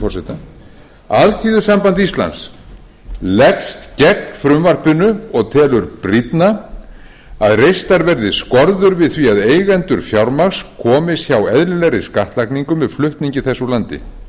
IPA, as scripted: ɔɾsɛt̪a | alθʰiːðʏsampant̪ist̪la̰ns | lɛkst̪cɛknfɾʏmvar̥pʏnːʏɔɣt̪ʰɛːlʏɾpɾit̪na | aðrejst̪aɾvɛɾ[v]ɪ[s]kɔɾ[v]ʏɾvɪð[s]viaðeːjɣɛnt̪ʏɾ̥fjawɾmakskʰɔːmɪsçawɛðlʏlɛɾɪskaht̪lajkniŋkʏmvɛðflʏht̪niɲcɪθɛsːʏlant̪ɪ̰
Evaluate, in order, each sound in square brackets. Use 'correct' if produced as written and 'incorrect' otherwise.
incorrect, correct, incorrect, incorrect

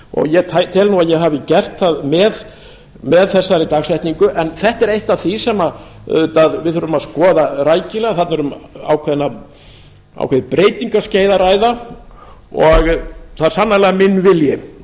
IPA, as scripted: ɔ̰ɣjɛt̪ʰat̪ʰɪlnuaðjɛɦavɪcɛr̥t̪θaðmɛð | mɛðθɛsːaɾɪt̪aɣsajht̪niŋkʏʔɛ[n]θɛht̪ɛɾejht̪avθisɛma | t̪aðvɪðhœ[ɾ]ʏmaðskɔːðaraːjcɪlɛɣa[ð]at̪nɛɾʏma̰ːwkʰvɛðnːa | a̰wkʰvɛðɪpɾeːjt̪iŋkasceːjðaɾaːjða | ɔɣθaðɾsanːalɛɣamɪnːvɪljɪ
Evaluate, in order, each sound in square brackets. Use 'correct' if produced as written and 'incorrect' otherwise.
correct, correct, incorrect

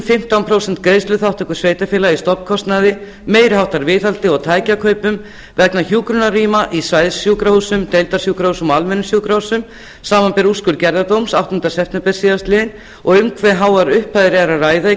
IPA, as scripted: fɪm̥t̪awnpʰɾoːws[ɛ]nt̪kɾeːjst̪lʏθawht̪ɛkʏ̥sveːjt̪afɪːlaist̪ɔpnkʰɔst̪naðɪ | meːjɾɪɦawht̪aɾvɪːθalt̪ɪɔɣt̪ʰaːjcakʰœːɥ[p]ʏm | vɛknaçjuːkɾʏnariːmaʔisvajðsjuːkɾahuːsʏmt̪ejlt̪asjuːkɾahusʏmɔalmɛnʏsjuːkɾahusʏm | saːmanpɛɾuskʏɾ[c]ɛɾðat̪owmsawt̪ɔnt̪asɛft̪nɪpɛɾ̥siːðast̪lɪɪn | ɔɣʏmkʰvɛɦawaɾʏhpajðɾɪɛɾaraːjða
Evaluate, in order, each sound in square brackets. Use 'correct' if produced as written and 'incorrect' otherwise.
correct, correct, correct

